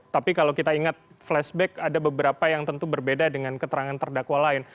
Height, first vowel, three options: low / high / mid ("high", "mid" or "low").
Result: low